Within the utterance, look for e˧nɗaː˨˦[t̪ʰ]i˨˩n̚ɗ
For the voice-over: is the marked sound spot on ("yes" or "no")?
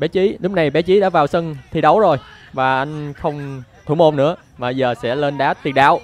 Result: no